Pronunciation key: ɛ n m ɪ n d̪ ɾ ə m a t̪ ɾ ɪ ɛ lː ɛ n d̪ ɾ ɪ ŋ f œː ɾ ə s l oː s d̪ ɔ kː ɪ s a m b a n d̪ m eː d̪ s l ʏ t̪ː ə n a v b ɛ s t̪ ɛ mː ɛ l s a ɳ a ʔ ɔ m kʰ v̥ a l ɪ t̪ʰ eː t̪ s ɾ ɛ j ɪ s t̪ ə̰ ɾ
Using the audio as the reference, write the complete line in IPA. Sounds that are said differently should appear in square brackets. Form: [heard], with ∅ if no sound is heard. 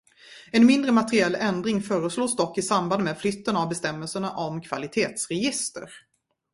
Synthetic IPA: ɛ n m ɪ n d̪ ɾ ə m a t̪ ɾ ɪ ɛ lː ɛ n d̪ ɾ ɪ ŋ f œː ɾ ə s l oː s d̪ ɔ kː ɪ s a m b a n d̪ m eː d̪ [f] l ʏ t̪ː ə n a v b ɛ s t̪ ɛ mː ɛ l s [ə] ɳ a ʔ ɔ m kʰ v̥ a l ɪ t̪ʰ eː t̪ s ɾ ɛ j ɪ s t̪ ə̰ ɾ

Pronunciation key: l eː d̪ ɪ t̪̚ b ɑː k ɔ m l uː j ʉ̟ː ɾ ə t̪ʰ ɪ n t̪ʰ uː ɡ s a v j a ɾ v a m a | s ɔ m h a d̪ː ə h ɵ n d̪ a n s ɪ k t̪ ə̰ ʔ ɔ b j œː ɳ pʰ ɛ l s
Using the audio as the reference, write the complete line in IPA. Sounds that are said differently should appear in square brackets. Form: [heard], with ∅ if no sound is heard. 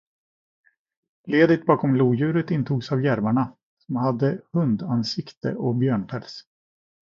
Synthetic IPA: l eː d̪ ɪ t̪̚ b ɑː k ɔ m l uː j ʉ̟ː ɾ ə [t̪] ɪ n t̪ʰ uː ɡ s a v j [æ] ɾ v a [ɳ] a | s ɔ m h a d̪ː ə h ɵ n d̪ a n s ɪ k t̪ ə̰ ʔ ɔ b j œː ɳ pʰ ɛ l s

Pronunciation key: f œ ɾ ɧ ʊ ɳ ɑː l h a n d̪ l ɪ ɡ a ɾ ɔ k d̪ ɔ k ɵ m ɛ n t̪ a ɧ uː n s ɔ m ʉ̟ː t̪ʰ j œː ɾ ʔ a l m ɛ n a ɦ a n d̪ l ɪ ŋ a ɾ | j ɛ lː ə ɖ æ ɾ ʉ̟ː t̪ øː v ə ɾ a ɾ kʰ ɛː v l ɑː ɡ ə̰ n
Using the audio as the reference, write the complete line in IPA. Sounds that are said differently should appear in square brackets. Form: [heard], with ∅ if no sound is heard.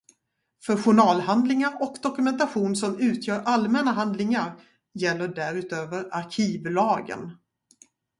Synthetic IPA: f œ ɾ ɧ ʊ ɳ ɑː l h a n d̪ l ɪ [ŋ] a ɾ ɔ k d̪ ɔ k ɵ m ɛ n t̪ a ɧ uː n s ɔ m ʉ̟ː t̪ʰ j œː ɾ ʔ a l m ɛ n a ɦ a n d̪ l ɪ ŋ a ɾ | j ɛ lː ə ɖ æ ɾ ʉ̟ː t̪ øː v ə ɾ a ɾ kʰ [iː] v l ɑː ɡ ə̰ n

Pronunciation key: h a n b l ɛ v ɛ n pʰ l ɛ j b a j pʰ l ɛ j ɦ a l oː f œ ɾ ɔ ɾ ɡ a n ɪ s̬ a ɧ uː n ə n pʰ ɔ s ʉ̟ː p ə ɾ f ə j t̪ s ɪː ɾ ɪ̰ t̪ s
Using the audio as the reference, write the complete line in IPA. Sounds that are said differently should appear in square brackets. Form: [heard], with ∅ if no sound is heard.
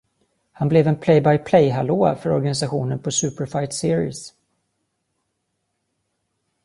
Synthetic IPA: h a n b l ɛ v ɛ n pʰ l ɛ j b a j pʰ l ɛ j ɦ a l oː f œ ɾ ɔ ɾ ɡ a n ɪ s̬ a ɧ uː n ə n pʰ ɔ s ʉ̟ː p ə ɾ f [a] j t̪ s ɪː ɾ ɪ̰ [∅] s

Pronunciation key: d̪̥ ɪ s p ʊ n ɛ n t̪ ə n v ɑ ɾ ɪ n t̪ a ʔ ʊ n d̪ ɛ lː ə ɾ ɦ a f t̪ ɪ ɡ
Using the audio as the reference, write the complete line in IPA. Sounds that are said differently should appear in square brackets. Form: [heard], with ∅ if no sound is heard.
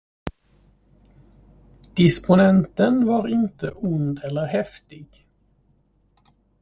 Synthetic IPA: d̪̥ ɪ s p ʊ n ɛ n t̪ ə n v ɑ ɾ ɪ n t̪ [ə] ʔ ʊ n d̪ ɛ lː ə ɾ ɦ [ɛ] f t̪ ɪ ɡ

